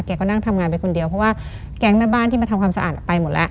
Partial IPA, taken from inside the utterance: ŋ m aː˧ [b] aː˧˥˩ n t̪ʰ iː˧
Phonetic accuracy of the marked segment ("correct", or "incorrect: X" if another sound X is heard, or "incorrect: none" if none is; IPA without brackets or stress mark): correct